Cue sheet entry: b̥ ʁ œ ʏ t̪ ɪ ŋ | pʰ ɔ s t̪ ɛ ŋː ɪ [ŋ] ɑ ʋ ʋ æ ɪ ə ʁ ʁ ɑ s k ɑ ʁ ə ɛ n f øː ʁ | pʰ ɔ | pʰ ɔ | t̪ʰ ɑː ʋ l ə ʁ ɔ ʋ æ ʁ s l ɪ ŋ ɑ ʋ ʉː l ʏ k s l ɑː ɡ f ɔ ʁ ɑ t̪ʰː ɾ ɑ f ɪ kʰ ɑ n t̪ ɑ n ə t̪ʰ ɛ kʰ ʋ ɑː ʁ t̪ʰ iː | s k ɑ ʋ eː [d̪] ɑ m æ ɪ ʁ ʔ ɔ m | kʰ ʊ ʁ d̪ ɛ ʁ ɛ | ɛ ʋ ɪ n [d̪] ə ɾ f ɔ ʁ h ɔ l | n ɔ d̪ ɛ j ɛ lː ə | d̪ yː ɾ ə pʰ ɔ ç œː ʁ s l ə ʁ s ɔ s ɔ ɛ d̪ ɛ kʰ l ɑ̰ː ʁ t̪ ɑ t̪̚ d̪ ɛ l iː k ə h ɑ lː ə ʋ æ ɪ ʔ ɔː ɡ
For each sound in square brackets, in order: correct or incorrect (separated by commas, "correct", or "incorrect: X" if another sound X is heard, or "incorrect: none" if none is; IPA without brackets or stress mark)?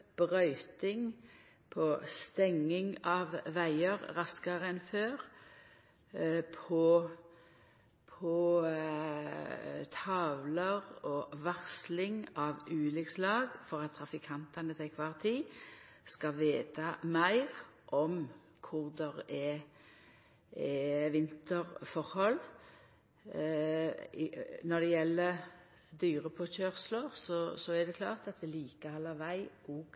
correct, incorrect: t̪, incorrect: t̪